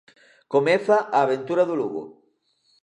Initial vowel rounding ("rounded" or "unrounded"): rounded